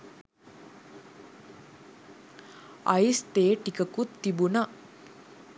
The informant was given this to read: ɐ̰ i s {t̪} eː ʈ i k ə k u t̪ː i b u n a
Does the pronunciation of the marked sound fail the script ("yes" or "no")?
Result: no